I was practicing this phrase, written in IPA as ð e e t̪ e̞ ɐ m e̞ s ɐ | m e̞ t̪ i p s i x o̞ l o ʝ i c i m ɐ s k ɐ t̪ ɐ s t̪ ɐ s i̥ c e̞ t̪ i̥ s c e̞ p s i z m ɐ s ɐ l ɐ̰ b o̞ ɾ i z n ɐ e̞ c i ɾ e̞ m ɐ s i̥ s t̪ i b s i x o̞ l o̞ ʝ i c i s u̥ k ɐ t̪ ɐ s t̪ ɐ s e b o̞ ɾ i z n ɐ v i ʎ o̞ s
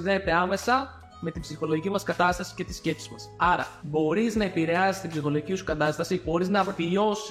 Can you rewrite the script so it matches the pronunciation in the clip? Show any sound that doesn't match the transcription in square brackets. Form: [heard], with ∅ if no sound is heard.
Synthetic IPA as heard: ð e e t̪ e̞ ɐ m e̞ s ɐ | m e̞ t̪ i [b] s i x o̞ l o ʝ i c i m ɐ s k ɐ t̪ ɐ s t̪ ɐ s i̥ c e̞ t̪ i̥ s c e̞ p s i z m ɐ s ɐ [ɾ] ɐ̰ b o̞ ɾ i z n ɐ e̞ [p] i ɾ e̞ [∅] ɐ s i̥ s t̪ i b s i x o̞ l o̞ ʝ i c i s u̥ k ɐ t̪ ɐ s t̪ ɐ s [i] b o̞ ɾ i z n ɐ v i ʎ o̞ s